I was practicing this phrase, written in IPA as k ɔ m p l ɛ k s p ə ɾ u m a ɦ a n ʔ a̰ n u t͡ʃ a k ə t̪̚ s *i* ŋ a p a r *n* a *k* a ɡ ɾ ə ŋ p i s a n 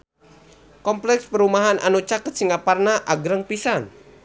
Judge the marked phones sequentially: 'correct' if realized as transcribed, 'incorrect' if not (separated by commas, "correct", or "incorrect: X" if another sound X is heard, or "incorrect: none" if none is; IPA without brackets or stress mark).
correct, correct, incorrect: ʔ